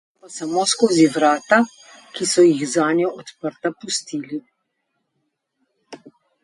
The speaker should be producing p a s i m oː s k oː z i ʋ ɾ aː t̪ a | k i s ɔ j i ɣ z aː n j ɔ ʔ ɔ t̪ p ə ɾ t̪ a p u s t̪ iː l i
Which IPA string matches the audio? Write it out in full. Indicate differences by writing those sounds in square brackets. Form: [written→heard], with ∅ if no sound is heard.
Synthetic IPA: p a s [i→a] m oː s k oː z i ʋ ɾ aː t̪ a | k i s ɔ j i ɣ z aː n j ɔ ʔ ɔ t̪ p ə ɾ t̪ a p u s t̪ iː l i